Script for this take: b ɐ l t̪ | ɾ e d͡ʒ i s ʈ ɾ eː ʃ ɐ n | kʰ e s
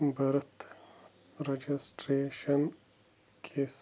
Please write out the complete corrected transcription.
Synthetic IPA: b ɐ ɾ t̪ | ɾ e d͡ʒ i s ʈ ɾ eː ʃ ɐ n | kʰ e s